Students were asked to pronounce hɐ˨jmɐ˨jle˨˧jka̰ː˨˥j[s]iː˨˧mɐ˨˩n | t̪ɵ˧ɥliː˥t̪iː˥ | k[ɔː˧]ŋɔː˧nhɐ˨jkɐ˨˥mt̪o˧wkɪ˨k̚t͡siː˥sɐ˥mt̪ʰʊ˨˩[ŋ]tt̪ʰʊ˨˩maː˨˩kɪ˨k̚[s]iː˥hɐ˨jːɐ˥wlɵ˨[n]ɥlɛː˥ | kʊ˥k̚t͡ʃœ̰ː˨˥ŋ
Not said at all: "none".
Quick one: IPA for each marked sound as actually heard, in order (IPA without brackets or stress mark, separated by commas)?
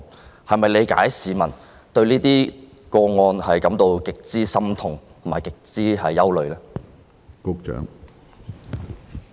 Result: s, ɔː˧, ŋ, t͡s, none